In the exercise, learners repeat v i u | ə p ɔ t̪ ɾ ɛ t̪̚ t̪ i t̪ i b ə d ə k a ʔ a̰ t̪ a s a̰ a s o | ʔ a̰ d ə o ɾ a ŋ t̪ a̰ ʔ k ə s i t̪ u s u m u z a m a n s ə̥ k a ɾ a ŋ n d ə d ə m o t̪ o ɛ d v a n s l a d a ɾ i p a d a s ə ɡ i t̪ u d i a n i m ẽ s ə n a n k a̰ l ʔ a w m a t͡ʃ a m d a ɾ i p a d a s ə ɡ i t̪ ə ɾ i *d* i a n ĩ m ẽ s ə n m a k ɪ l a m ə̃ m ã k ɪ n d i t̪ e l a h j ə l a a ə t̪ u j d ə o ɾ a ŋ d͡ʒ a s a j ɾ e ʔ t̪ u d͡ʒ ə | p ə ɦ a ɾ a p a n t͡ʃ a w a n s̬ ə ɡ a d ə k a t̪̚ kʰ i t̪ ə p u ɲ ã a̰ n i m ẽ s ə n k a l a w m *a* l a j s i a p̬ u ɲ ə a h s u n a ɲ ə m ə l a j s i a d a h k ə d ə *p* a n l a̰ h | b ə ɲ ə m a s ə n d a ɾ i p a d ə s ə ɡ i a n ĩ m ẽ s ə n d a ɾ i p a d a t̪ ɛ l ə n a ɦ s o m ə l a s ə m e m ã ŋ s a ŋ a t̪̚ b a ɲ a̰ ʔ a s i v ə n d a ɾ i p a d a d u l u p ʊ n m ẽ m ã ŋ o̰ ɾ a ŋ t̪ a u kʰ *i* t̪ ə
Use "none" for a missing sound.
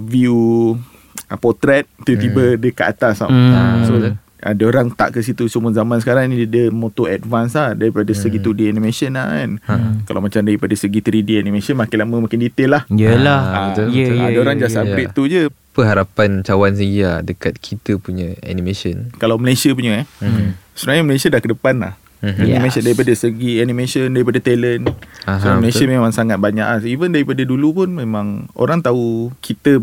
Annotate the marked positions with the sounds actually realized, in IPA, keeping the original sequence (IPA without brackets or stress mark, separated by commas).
d, ə, p, i